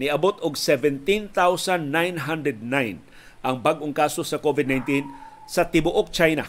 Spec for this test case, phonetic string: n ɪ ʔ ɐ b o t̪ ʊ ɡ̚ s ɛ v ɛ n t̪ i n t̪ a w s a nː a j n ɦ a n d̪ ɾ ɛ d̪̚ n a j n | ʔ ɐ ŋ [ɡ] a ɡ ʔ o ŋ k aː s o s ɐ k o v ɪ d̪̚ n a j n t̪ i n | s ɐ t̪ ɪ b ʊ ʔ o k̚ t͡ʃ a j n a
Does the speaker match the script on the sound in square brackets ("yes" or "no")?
no